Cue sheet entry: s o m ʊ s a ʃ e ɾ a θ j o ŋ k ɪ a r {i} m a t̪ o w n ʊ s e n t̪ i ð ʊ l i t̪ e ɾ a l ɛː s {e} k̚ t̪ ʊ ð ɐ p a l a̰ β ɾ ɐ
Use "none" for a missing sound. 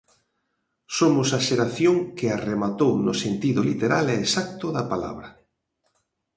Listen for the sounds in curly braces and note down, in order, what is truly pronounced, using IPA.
e, a

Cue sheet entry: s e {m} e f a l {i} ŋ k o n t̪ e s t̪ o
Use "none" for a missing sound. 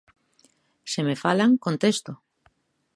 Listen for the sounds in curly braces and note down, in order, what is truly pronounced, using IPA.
m, a

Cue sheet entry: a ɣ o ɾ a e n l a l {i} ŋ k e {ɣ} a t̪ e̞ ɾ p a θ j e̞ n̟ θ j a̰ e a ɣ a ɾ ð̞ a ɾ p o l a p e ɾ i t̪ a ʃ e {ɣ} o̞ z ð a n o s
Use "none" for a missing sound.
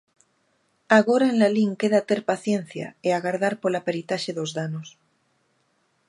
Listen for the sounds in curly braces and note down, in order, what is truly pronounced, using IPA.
i, ð, ð

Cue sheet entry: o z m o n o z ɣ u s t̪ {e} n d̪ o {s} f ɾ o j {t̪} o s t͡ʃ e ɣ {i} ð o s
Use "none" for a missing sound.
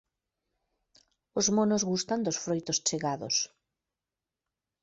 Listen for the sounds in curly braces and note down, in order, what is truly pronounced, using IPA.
a, s, t̪, a

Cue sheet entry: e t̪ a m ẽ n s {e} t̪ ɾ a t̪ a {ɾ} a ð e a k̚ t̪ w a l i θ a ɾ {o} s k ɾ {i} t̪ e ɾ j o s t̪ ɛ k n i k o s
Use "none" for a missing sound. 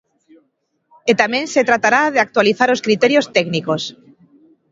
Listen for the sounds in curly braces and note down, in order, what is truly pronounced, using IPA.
e, ɾ, o, i

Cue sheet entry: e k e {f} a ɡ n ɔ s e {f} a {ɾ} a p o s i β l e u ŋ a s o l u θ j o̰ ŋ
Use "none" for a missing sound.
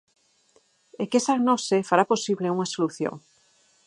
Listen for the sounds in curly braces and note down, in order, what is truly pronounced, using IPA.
s, f, ɾ

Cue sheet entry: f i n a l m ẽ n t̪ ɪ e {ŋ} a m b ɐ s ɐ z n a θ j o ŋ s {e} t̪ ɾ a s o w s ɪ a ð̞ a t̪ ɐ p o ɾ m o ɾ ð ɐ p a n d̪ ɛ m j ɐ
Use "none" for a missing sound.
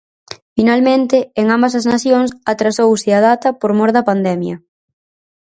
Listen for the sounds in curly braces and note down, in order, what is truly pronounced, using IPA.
ŋ, a

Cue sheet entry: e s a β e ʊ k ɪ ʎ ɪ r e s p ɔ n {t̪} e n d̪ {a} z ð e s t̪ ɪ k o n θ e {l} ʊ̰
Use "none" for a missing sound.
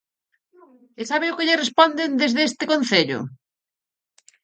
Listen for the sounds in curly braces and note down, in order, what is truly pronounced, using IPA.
d̪, e, ʎ

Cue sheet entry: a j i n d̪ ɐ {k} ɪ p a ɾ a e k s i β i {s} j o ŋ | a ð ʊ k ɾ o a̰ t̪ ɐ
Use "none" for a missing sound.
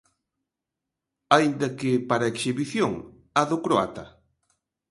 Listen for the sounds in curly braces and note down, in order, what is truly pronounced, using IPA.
k, θ

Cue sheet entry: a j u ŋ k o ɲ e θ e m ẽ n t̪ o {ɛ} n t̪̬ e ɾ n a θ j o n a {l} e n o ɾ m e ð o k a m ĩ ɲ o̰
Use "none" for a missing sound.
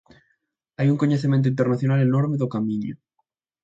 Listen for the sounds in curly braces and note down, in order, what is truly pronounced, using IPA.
i, l

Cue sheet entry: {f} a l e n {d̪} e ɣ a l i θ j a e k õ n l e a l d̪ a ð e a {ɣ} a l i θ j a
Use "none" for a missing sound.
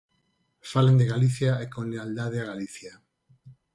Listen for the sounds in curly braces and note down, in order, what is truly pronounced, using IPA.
f, d̪, ɣ

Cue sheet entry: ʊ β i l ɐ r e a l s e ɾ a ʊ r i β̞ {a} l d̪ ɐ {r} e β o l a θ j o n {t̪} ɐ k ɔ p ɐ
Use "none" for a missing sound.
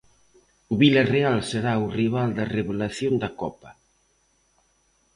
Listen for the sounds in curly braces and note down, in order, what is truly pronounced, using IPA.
a, r, d̪

